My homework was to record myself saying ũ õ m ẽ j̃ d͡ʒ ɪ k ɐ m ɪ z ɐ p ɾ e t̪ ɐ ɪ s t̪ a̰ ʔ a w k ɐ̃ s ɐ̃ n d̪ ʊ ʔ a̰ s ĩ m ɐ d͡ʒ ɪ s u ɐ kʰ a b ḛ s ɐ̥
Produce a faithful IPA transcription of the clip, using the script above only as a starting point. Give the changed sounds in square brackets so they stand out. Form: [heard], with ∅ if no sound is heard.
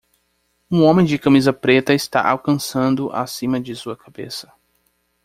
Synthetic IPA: ũ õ m ẽ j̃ d͡ʒ ɪ k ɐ m [i] z ɐ p ɾ e t̪ ɐ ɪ s t̪ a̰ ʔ a w k ɐ̃ s ɐ̃ n d̪ ʊ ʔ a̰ s ĩ m ɐ d͡ʒ ɪ s u ɐ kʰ a b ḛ s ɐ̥